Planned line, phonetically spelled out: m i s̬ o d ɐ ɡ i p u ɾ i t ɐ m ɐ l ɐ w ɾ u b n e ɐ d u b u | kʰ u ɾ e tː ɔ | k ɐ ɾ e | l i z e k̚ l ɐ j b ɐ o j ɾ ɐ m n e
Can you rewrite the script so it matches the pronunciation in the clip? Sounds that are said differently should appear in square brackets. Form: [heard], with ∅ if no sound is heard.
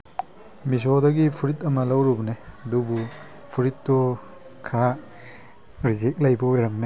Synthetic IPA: m i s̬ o d ɐ ɡ i [pʰ] u ɾ i t ɐ m ɐ l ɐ w ɾ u b n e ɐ d u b u | [pʰ] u ɾ [i] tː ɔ | [kʰ] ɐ ɾ [a] | [ɾ] i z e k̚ l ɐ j b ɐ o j ɾ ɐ m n e